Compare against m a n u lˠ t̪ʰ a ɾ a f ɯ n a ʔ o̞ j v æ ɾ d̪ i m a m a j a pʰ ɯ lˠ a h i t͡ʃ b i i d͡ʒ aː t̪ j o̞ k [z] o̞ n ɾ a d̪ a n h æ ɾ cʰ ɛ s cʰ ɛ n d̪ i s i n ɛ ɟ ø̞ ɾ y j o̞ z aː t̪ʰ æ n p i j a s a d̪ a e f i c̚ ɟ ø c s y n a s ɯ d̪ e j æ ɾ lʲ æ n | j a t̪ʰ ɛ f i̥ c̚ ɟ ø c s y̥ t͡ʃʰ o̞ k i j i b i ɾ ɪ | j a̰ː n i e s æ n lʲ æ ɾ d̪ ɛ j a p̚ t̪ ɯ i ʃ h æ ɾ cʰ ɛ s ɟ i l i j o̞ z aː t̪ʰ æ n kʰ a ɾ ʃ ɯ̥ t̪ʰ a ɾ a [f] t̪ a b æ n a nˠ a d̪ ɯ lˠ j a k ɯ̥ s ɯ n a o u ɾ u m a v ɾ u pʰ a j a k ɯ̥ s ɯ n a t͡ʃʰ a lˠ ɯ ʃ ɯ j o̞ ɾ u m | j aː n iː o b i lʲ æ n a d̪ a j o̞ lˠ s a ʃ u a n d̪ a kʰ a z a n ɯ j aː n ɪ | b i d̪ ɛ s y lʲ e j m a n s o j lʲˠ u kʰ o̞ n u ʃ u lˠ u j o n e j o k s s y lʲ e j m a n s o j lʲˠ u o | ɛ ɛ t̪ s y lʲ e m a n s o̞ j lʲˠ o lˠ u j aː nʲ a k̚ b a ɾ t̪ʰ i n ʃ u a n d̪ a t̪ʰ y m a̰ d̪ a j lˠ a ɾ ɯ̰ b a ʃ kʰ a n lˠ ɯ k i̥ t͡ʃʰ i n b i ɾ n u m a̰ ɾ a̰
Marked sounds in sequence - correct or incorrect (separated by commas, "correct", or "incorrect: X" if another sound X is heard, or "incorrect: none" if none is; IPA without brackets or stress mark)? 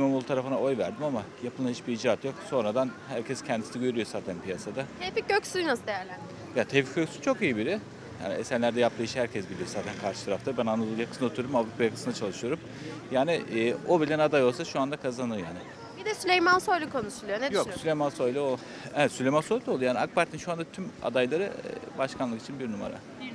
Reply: incorrect: s, correct